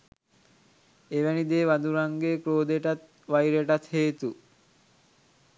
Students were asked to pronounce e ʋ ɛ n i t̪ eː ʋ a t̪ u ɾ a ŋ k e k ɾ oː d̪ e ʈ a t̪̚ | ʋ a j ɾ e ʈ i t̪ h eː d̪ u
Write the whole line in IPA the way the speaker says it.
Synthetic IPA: e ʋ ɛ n i d̪ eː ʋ a d̪ u ɾ a ŋ ɡ e k ɾ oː d̪ e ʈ a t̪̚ | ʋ a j ɾ e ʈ a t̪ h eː t̪ u